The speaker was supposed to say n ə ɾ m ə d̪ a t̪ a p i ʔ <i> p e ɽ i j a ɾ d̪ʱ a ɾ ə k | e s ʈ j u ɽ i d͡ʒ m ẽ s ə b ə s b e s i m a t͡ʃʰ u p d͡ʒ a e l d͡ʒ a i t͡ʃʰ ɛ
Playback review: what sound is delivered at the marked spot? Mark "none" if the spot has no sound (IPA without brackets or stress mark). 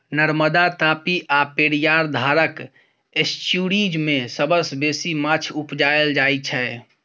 a